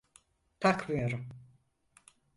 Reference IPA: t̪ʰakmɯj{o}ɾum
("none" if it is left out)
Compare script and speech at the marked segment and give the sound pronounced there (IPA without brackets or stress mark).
o